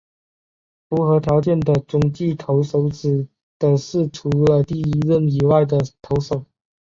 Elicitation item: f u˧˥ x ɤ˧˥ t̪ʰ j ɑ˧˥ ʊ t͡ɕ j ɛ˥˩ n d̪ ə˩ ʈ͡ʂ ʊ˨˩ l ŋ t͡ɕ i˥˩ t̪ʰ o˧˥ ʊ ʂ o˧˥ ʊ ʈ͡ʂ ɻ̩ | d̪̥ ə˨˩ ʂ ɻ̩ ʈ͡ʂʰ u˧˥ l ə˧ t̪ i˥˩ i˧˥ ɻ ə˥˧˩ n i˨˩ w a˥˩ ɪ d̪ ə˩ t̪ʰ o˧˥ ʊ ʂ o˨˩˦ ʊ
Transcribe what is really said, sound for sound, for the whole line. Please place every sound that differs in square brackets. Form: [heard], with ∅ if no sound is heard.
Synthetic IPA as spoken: f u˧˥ x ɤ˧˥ t̪ʰ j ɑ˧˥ ʊ t͡ɕ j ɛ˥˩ n d̪ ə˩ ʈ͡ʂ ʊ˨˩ [∅] ŋ t͡ɕ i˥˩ t̪ʰ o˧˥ ʊ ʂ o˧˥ ʊ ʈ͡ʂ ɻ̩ | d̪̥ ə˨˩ ʂ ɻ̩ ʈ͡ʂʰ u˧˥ l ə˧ t̪ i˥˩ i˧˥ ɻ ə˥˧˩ n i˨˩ w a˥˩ ɪ d̪ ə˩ t̪ʰ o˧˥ ʊ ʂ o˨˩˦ ʊ